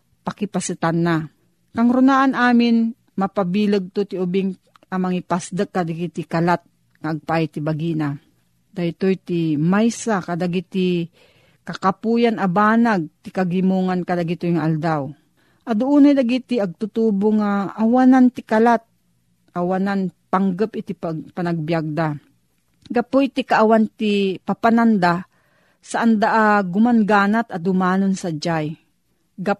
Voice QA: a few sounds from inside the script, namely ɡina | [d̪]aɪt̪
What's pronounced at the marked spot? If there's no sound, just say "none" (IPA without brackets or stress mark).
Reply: d̪